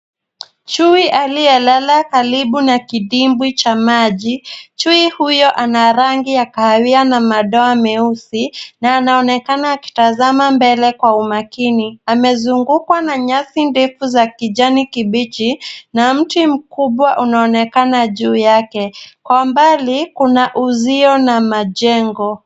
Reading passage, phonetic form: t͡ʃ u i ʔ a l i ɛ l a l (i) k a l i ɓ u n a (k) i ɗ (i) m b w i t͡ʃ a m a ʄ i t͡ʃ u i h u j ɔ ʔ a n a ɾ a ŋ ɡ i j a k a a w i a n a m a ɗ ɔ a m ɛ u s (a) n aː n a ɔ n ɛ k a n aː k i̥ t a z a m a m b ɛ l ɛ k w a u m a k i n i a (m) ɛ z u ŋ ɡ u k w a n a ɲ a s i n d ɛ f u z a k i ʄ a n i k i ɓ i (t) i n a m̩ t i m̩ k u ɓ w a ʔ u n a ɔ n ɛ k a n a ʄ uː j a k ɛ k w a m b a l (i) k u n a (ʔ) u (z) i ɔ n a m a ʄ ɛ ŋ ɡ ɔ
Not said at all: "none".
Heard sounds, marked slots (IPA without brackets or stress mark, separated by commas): a, k, i, i, m, t͡ʃ, i, ʔ, z